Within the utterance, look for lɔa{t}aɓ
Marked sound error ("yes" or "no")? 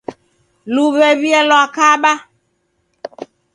yes